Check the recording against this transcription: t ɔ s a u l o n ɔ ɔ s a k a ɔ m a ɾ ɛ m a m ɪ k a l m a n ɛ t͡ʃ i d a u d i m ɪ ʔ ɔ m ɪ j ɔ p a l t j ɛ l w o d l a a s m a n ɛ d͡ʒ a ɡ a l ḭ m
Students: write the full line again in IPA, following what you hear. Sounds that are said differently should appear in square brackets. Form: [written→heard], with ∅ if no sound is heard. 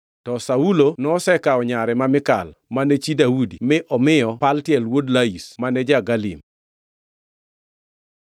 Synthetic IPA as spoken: t ɔ s a u l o n ɔ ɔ s [a→ɛ] k a ɔ [m→ɲ] a ɾ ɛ m a m ɪ k a l m a n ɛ t͡ʃ i d a u d i m ɪ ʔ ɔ m ɪ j ɔ p a l t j ɛ l w o d l a [a→i] s m a n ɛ d͡ʒ a ɡ a l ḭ m